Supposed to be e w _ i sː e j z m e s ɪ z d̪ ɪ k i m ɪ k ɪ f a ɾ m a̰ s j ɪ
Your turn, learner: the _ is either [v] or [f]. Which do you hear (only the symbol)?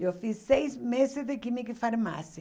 f